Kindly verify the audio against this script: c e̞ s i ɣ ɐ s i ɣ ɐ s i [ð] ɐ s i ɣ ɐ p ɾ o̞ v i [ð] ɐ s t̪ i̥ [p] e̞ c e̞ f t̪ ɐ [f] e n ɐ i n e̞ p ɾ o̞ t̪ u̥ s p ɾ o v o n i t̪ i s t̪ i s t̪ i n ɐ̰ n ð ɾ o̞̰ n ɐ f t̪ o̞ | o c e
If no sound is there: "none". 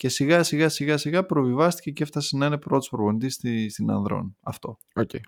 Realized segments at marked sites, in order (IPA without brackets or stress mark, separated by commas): ɣ, v, c, s